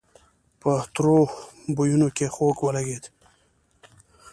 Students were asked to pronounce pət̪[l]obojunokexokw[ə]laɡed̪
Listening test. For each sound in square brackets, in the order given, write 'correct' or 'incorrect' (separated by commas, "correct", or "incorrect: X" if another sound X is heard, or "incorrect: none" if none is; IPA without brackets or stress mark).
incorrect: ɾ, correct